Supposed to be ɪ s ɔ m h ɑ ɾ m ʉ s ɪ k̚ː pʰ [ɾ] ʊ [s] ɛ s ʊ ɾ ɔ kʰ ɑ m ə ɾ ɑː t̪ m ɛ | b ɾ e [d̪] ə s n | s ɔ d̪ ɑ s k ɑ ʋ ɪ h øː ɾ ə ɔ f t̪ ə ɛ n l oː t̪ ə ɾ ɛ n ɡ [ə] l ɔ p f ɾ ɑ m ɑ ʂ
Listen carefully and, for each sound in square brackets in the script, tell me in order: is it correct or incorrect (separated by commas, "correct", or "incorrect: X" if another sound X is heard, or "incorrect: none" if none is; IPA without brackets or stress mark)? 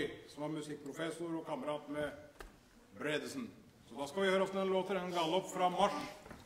correct, incorrect: f, correct, incorrect: ɑ